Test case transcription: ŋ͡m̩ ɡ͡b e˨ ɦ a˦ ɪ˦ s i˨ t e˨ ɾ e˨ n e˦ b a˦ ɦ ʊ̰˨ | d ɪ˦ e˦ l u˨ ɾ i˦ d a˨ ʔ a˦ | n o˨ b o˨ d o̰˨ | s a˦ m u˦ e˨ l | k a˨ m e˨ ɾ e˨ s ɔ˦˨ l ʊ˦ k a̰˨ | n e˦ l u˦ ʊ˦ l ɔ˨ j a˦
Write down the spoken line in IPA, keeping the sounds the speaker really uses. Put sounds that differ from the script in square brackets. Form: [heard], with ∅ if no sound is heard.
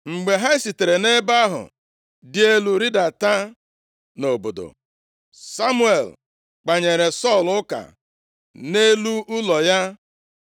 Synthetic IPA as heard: ŋ͡m̩ ɡ͡b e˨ ɦ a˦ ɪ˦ s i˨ t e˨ ɾ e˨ n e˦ b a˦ ɦ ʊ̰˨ | d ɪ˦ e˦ l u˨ ɾ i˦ d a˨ [t] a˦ | n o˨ b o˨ d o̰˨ | s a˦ m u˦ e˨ l | [k͡p] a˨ [ɲ] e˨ ɾ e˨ s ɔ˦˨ l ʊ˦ k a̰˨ | n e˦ l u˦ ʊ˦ l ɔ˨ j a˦